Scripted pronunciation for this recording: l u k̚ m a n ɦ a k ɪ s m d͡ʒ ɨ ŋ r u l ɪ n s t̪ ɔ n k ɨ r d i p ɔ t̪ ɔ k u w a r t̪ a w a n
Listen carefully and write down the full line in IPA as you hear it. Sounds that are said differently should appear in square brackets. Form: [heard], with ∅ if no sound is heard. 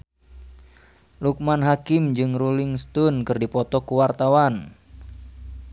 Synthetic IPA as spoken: l u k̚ m a n ɦ a k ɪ [∅] m d͡ʒ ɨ ŋ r u l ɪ [ŋ] s t̪ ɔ n k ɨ r d i p ɔ t̪ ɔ k u w a r t̪ a w a n